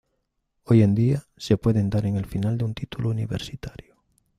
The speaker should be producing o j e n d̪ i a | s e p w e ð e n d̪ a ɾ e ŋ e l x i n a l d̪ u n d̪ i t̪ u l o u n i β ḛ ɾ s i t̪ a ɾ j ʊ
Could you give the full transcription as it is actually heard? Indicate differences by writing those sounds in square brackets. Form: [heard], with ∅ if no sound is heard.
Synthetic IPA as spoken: o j e n d̪ i a | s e p w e ð e n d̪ a ɾ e ŋ e l [f] i n a l d̪ u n [t̪] i t̪ u l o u n i β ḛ ɾ s i t̪ a ɾ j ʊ